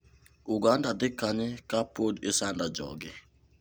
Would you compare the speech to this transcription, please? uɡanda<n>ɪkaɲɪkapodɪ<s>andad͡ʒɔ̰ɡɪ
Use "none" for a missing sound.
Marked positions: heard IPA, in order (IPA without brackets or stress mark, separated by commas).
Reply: d, s